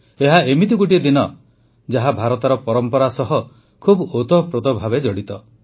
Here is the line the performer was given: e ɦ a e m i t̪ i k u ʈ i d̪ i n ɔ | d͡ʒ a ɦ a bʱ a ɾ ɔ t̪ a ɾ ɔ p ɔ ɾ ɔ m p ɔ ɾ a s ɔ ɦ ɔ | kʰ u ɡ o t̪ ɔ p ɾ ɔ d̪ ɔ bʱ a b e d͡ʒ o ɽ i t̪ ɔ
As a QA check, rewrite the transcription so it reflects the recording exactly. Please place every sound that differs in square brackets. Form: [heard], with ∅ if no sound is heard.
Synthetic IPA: e ɦ a e m i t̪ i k u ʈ i d̪ i n ɔ | d͡ʒ a ɦ a bʱ a ɾ ɔ t̪ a ɾ ɔ p ɔ ɾ ɔ m p ɔ ɾ a s ɔ ɦ ɔ | kʰ u [b] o t̪ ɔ p ɾ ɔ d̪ ɔ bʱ a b e d͡ʒ [ɔ] ɽ i t̪ ɔ